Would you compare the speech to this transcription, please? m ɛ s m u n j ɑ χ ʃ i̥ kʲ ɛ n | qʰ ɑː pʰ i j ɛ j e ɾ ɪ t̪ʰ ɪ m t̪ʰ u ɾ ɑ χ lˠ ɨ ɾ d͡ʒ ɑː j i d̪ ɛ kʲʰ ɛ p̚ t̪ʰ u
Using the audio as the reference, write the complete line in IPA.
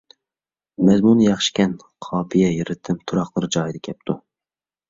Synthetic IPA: m ɛ z m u n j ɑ χ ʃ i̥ kʲ ɛ n | qʰ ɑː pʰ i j ɛ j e ɾ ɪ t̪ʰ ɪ m t̪ʰ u ɾ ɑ χ lˠ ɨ ɾ d͡ʒ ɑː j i d̪ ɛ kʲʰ ɛ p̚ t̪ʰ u

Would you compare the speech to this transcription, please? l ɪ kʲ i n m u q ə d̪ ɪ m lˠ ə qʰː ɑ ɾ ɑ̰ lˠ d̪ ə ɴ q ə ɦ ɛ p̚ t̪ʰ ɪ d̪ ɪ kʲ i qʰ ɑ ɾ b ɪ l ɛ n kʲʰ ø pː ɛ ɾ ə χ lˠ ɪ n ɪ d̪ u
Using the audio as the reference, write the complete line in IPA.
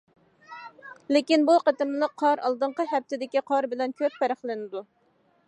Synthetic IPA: l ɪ kʲ i n b u q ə t̪ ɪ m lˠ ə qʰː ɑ ɾ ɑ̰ lˠ d̪ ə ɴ q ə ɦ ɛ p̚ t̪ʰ ɪ d̪ ɪ kʲ i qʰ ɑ ɾ b ɪ l ɛ n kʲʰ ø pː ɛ ɾ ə χ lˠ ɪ n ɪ d̪ u

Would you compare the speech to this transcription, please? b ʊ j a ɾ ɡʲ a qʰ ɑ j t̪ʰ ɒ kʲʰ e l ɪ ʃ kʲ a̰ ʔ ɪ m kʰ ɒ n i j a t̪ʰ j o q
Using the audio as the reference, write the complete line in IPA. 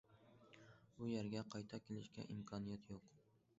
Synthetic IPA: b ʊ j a ɾ ɡʲ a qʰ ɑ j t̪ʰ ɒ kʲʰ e l ɪ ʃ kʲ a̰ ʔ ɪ m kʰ ɒ n i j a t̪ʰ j o q

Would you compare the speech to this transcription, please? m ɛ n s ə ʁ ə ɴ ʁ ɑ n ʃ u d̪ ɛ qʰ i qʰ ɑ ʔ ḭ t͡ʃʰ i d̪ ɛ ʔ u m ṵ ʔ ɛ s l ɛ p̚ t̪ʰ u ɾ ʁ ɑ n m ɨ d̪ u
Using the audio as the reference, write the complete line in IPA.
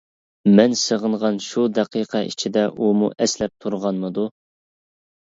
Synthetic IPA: m ɛ n s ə ʁ ə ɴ ʁ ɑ n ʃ u d̪ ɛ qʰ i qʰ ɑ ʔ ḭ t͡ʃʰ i d̪ ɛ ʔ u m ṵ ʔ ɛ s l ɛ p̚ t̪ʰ u ɾ ʁ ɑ n m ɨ d̪ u

